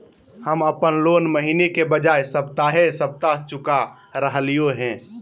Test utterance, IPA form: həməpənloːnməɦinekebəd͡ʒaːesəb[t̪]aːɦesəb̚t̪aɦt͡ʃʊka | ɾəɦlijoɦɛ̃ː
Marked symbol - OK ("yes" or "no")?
yes